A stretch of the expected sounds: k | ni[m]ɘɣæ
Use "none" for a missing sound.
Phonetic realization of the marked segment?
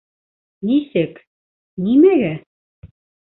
m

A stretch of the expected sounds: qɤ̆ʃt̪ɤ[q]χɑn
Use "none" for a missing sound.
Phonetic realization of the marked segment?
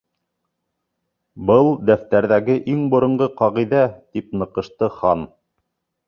none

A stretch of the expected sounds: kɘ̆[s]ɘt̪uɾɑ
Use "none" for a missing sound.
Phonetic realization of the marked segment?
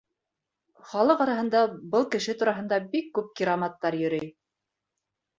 ʃ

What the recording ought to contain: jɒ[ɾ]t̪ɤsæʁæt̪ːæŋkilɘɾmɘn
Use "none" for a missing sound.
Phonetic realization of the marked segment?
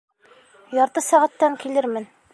ɾ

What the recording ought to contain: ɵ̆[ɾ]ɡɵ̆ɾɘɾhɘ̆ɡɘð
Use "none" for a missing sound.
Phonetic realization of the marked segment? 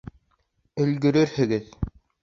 l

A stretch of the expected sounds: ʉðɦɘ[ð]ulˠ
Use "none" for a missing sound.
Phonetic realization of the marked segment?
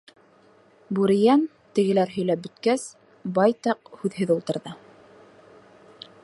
ð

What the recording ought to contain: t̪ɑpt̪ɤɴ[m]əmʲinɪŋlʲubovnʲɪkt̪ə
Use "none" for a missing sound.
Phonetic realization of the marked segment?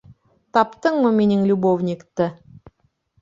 m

